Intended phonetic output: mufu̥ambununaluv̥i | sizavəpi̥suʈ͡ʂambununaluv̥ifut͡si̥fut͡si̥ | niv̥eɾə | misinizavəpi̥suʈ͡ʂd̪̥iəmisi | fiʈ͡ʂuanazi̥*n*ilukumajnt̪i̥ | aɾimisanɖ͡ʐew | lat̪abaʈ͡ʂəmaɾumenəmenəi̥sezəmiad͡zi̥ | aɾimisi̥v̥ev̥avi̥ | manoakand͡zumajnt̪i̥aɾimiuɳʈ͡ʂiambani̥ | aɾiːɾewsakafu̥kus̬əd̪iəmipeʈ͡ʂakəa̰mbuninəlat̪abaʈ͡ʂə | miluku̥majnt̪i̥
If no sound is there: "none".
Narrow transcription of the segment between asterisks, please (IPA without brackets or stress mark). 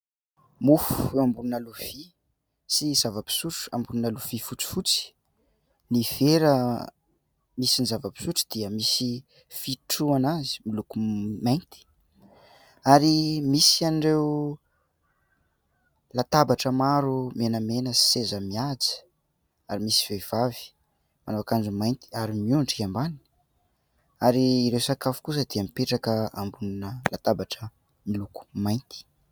m